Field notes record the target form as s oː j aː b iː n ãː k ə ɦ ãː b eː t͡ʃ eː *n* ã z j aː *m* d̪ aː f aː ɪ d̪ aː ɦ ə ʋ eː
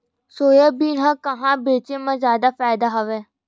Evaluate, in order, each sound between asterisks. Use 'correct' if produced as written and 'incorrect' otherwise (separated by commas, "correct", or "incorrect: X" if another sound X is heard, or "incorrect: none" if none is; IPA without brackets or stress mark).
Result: incorrect: m, incorrect: none